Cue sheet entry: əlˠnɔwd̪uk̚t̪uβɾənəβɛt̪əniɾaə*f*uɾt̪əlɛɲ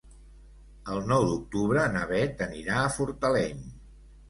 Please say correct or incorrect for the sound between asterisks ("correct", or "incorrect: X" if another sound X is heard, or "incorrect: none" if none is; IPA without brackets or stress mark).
correct